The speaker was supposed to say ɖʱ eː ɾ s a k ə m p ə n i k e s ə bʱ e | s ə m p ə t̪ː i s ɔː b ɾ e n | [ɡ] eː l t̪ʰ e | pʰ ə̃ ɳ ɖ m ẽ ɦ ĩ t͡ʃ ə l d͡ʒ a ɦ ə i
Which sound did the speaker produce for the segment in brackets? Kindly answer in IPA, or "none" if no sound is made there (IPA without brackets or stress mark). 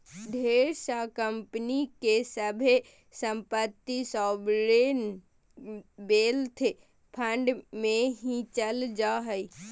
b